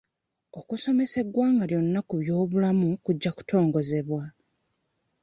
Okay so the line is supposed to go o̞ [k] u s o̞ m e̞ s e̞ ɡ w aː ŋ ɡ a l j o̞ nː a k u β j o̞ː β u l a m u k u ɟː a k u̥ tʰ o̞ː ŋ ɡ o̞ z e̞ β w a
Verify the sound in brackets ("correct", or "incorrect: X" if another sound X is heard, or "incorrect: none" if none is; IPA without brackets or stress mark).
correct